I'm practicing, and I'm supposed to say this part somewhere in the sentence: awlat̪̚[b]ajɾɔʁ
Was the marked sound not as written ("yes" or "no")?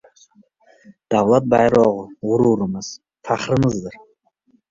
no